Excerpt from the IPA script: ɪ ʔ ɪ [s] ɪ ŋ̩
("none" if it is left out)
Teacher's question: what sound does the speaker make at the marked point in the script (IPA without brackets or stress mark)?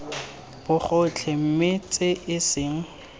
s